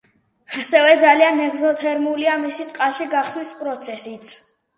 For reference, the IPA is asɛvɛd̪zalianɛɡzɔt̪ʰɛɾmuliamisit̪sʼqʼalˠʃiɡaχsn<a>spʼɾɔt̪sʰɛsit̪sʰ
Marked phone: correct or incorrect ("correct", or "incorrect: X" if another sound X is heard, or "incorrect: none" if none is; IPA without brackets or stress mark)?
incorrect: i